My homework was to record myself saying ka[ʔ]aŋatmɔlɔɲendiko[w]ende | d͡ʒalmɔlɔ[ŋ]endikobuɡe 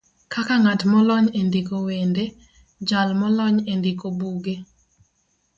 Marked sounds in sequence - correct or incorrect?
incorrect: k, correct, incorrect: ɲ

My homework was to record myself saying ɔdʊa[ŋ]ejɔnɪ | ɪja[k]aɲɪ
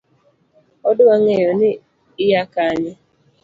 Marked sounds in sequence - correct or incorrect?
correct, correct

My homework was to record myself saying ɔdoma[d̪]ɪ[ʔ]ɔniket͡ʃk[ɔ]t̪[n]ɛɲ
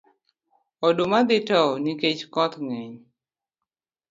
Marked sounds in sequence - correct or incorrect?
correct, incorrect: t, correct, incorrect: ŋ

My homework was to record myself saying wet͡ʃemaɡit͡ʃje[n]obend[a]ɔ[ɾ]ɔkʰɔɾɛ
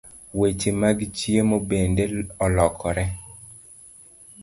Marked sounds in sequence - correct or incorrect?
incorrect: m, incorrect: e, incorrect: l

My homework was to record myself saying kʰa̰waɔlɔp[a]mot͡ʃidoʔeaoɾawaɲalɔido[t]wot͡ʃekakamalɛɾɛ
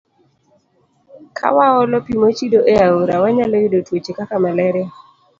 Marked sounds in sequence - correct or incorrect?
incorrect: i, correct

